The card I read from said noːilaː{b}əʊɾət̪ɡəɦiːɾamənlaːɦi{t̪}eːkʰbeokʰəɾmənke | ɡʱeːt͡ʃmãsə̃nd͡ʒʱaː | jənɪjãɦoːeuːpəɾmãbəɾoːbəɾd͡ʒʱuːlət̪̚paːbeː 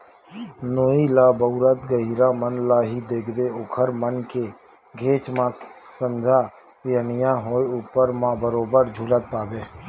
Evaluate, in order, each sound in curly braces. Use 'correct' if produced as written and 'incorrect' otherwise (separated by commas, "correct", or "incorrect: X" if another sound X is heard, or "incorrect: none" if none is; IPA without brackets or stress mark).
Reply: correct, incorrect: d̪